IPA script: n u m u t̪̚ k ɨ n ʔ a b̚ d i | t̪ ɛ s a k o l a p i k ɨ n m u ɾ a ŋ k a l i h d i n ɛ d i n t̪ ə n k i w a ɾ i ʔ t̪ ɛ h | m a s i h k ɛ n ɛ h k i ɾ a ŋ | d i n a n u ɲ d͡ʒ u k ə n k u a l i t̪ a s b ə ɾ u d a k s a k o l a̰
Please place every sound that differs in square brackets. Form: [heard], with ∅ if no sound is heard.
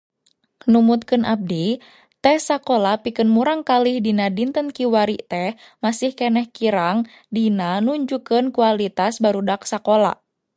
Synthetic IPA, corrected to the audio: n u m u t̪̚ k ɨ n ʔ a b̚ d i | t̪ ɛ s a k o l a p i k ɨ n m u ɾ a ŋ k a l i h d i n [a] d i n t̪ ə n k i w a ɾ i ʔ t̪ ɛ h | m a s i h k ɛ n ɛ h k i ɾ a ŋ | d i n a n u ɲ d͡ʒ u k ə n k u a l i t̪ a s b [a] ɾ u d a k s a k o l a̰